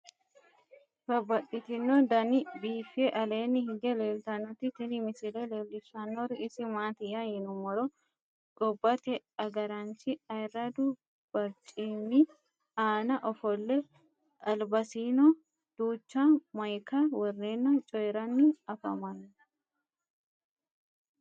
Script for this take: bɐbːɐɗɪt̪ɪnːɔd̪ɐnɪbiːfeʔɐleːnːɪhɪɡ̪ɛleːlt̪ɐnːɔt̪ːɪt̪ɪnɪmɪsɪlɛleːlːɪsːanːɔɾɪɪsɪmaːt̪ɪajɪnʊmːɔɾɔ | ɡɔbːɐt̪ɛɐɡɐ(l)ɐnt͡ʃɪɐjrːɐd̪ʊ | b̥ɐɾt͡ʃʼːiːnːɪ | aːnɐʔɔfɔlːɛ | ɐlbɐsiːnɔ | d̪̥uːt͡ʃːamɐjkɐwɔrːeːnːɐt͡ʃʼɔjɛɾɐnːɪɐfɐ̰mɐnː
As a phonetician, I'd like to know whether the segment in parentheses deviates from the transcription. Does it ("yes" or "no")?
yes